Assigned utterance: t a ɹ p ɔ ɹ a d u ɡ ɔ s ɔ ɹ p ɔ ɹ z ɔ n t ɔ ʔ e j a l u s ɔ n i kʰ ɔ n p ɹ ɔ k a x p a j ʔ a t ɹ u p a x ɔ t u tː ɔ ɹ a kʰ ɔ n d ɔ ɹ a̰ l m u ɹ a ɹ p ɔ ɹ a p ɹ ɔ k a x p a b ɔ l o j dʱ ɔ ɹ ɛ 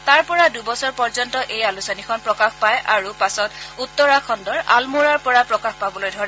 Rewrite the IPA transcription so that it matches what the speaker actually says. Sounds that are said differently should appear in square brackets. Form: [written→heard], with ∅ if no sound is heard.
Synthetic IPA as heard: t a ɹ p ɔ ɹ a d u [ɡ→b] ɔ s ɔ ɹ p ɔ ɹ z ɔ n t ɔ ʔ e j a l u s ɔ n i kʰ ɔ n p ɹ ɔ k a x p a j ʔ a [t→∅] ɹ u p a [x→s] ɔ t u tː ɔ ɹ a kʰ ɔ n d ɔ ɹ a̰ l m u ɹ a ɹ p ɔ ɹ a p ɹ ɔ k a x p a b ɔ l o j dʱ ɔ ɹ ɛ

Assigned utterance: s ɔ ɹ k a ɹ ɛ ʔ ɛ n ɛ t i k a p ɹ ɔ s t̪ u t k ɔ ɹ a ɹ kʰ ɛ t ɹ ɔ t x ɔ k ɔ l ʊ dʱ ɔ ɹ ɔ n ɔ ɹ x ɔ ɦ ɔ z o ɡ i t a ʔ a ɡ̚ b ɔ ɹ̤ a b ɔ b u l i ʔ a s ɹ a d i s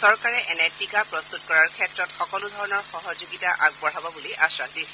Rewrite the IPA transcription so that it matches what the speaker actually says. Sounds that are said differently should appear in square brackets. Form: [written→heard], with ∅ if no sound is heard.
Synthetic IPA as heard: s ɔ ɹ k a ɹ ɛ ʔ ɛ n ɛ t i k a p ɹ ɔ s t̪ u t k ɔ ɹ a ɹ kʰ ɛ t ɹ ɔ t x ɔ k ɔ l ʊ dʱ ɔ ɹ ɔ n ɔ ɹ x ɔ ɦ ɔ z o ɡ i t a ʔ a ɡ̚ b ɔ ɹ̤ a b ɔ b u l i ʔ a s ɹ a d i s

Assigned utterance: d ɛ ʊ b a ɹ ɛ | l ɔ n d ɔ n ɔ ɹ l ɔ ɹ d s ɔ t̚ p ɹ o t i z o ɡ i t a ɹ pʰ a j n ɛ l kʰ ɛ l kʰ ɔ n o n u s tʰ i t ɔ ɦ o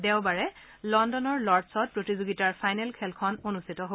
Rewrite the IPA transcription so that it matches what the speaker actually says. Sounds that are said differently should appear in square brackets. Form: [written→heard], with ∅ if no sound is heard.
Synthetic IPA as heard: d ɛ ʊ b a ɹ ɛ | l ɔ n d ɔ n ɔ ɹ l ɔ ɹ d s ɔ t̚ p ɹ o t i z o ɡ i t a ɹ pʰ a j n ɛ l kʰ ɛ l kʰ ɔ n o n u s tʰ i t ɔ ɦ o

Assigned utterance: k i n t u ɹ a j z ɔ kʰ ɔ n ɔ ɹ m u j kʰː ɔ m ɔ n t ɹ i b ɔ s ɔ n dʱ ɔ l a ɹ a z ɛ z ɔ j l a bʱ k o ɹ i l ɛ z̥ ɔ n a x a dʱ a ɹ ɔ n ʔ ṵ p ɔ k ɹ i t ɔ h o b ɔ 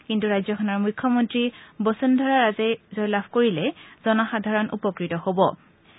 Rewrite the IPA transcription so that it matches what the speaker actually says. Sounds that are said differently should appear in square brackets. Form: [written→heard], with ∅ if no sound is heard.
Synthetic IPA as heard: k i n t u ɹ a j z ɔ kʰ ɔ n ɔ ɹ m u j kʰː ɔ m ɔ n t ɹ i b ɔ s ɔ n dʱ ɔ [l→ɹ] a ɹ a z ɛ z ɔ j l a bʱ k o ɹ i l ɛ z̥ ɔ n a x a dʱ a ɹ ɔ n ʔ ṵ p ɔ k ɹ i t ɔ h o b ɔ

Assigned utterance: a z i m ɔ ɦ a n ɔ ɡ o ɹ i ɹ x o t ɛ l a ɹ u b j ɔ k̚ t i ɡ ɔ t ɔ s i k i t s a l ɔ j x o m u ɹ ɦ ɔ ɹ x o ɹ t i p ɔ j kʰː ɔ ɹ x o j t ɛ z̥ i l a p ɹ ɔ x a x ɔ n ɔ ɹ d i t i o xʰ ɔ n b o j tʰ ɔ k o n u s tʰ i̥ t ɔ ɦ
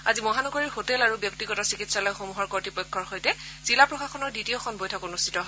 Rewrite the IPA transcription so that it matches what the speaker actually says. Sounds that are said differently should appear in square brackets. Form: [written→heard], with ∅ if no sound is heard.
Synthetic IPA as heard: a z i m ɔ ɦ a n ɔ ɡ o ɹ i ɹ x o t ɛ l a ɹ u b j ɔ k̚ t i ɡ ɔ t ɔ s i k i t s a l ɔ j x o m u [ɹ→∅] ɦ ɔ ɹ [x→k] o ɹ t i p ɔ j kʰː ɔ ɹ x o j t ɛ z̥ i l a p ɹ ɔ x a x ɔ n ɔ ɹ d i t i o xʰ ɔ n b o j tʰ ɔ k o n u s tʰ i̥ t ɔ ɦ

